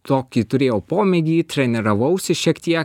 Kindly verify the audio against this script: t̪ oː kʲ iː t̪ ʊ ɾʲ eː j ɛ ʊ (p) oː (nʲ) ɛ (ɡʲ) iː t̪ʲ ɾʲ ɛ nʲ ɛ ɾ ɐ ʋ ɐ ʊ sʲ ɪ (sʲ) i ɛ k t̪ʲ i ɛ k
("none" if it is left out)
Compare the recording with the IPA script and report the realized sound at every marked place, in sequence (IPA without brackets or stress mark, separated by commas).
p, mʲ, ɡʲ, ʃʲ